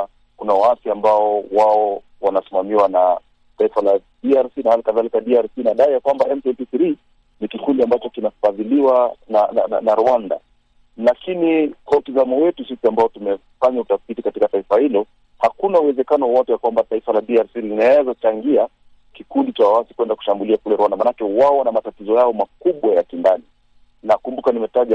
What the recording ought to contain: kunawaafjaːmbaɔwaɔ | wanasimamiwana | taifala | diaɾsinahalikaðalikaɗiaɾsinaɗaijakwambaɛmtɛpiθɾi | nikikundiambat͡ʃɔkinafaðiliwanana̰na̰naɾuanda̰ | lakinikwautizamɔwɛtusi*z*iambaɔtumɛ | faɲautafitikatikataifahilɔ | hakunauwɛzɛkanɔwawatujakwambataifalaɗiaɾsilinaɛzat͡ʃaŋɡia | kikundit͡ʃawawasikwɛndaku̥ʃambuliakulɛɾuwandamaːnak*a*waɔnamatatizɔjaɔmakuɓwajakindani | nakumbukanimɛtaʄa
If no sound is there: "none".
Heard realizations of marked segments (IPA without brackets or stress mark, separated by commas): s, ɛ